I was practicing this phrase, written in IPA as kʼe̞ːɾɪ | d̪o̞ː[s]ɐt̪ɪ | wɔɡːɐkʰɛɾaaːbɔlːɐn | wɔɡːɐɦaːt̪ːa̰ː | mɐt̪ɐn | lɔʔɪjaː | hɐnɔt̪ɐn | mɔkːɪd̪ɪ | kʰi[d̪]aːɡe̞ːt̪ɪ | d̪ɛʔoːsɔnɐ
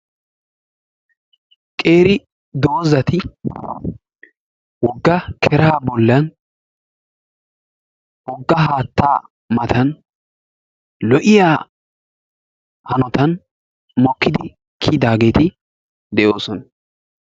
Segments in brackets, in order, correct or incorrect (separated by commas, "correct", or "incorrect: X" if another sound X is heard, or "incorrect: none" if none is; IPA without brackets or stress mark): incorrect: z, correct